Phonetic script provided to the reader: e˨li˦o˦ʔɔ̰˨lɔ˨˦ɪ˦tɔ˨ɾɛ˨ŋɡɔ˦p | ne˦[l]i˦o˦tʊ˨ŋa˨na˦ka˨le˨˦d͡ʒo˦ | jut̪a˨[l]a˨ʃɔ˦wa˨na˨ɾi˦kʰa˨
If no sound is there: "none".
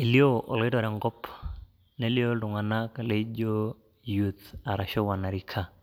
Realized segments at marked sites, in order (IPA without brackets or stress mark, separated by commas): l, ɾ